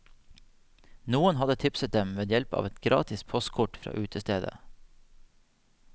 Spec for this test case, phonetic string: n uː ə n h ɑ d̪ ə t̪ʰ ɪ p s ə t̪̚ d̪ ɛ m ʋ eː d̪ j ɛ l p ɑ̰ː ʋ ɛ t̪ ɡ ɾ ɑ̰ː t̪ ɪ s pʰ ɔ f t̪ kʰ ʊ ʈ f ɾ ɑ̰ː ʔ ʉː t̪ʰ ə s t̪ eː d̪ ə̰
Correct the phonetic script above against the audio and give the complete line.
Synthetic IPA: n uː ə n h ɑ d̪ ə t̪ʰ ɪ p s ə t̪̚ d̪ ɛ m ʋ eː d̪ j ɛ l p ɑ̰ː ʋ ɛ t̪ ɡ ɾ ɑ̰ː t̪ ɪ s pʰ ɔ s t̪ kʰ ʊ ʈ f ɾ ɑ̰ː ʔ ʉː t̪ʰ ə s t̪ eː d̪ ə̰